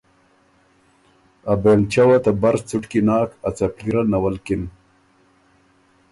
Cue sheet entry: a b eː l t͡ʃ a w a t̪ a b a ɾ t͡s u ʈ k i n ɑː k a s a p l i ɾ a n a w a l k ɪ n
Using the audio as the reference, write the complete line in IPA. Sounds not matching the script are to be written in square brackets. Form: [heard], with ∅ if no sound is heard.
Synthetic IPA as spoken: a b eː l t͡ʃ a w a t̪ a b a ɾ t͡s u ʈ k i n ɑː k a [t͡s] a p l i ɾ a n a w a l k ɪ n

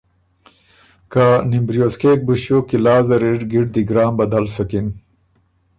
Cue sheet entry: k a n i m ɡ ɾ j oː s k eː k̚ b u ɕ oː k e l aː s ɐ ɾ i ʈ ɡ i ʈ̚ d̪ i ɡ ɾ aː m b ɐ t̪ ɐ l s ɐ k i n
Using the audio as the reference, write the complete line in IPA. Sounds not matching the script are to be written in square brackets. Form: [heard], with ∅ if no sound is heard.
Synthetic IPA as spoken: k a n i m [b] ɾ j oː s k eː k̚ b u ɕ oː k [i] l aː [z] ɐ ɾ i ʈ ɡ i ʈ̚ d̪ i ɡ ɾ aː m b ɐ [d̪] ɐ l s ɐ k i n

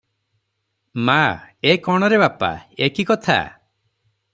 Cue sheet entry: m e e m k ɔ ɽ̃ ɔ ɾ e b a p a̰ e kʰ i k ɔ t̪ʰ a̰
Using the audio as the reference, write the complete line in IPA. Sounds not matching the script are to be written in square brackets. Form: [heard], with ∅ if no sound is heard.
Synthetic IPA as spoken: m [a] e [∅] k ɔ ɽ̃ ɔ ɾ e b a p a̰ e [k] i k ɔ t̪ʰ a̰

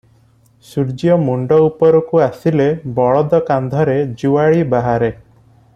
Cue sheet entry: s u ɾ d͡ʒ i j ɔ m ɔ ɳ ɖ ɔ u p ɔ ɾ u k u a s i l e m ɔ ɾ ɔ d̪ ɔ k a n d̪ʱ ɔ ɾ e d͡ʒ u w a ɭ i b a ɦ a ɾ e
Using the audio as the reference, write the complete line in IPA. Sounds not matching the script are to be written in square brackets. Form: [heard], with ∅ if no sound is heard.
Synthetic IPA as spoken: s u ɾ d͡ʒ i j ɔ m [u] ɳ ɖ ɔ u p ɔ ɾ [ɔ] k u a s i l e [b] ɔ [ɭ] ɔ d̪ ɔ k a n d̪ʱ ɔ ɾ e d͡ʒ u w a ɭ i b a ɦ a ɾ e

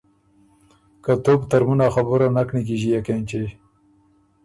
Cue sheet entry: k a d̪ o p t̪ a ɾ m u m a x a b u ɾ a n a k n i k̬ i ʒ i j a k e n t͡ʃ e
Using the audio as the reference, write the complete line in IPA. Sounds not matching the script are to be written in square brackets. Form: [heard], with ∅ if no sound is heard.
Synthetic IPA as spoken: k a [t̪] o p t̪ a ɾ m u [n] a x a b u ɾ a n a k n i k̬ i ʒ i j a k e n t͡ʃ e

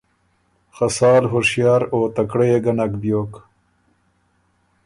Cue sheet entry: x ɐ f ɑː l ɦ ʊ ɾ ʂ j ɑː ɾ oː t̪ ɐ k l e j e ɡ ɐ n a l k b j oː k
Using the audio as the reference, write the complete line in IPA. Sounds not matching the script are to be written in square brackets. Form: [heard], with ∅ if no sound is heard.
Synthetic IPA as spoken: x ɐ [s] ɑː l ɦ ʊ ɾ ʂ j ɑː ɾ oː t̪ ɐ k [ɽ] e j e ɡ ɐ n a [∅] k b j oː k

